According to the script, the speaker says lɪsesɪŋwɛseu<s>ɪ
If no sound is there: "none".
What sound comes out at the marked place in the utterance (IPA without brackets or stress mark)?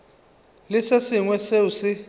s